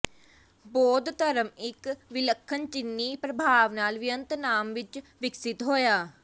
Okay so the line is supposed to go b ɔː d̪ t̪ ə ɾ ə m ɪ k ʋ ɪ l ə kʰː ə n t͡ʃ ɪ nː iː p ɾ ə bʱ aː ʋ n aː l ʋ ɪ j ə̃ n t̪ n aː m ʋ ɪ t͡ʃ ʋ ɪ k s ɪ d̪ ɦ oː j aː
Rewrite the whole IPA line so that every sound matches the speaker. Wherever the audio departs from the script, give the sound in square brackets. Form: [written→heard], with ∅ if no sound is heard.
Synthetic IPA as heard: b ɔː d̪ t̪ ə ɾ ə m ɪ k ʋ ɪ l ə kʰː ə n t͡ʃ ɪ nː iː p ɾ ə bʱ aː ʋ n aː l ʋ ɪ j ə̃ n t̪ n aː m ʋ ɪ t͡ʃ ʋ ɪ k s ɪ [d̪→t̪] ɦ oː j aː